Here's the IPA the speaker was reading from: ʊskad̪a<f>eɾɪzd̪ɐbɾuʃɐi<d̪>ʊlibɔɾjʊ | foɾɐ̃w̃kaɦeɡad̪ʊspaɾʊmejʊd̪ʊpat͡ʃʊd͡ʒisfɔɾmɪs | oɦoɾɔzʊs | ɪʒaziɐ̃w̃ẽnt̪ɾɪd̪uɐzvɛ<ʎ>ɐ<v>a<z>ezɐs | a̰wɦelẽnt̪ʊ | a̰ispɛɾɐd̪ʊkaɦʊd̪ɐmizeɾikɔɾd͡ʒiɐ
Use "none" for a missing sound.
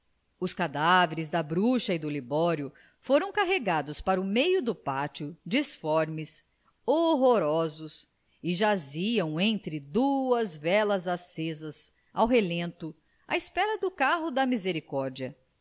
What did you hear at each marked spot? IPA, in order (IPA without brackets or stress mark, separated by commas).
v, d̪, l, z, s